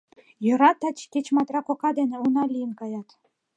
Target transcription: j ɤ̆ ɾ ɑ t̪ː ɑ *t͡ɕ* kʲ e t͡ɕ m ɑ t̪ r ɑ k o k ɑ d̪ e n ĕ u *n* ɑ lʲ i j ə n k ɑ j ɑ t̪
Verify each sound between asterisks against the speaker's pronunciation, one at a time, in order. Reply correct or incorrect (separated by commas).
correct, correct